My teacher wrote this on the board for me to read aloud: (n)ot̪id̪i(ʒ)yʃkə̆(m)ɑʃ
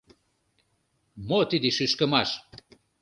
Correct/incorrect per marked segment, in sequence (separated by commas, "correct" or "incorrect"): incorrect, incorrect, correct